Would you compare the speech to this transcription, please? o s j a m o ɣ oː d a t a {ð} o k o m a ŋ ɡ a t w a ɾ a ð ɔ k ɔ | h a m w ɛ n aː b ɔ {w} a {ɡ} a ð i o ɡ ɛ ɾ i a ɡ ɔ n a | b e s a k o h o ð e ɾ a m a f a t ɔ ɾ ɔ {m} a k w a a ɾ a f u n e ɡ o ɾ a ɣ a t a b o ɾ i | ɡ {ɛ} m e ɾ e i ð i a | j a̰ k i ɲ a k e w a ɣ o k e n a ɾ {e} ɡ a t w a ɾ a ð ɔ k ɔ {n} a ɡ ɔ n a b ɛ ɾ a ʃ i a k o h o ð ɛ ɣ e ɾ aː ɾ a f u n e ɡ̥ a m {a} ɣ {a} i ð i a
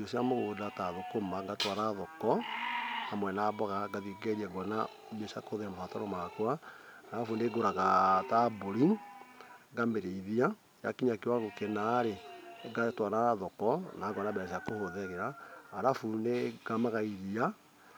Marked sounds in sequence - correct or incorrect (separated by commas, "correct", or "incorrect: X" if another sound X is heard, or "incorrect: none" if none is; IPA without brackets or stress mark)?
correct, incorrect: ɣ, correct, correct, incorrect: a, correct, correct, correct, correct